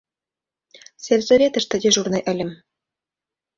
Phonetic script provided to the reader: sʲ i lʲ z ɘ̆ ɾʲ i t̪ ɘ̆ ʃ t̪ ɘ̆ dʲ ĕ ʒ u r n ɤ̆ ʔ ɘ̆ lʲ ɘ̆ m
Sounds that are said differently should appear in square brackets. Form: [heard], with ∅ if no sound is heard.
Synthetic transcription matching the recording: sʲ [e] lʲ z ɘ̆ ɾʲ [e] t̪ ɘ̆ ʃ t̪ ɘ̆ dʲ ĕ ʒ u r n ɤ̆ ʔ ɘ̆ lʲ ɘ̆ m